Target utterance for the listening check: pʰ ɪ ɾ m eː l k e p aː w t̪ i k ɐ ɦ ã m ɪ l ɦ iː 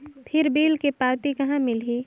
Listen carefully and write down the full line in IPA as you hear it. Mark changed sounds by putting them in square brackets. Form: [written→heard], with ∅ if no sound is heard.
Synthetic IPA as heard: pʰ ɪ ɾ [m→b] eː l k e p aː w t̪ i k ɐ ɦ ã m ɪ l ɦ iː